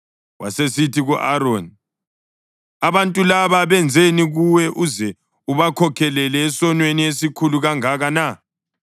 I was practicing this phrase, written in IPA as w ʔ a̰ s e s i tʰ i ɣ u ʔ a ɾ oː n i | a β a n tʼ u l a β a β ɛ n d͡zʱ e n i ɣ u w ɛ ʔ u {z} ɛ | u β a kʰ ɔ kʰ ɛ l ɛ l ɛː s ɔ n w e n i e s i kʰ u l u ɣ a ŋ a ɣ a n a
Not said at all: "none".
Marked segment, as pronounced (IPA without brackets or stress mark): z